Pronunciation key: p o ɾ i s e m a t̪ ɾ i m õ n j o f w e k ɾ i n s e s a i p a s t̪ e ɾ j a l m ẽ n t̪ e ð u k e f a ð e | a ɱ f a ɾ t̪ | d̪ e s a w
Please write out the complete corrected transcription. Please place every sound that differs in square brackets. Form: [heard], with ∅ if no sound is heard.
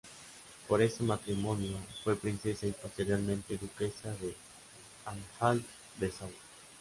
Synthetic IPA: p o ɾ [e] s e m a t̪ ɾ i m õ n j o f w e [p] ɾ i n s e s a i p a s t̪ e ɾ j a l m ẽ n t̪ e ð u k e [s] a ð e | a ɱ f a [l] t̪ | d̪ e s a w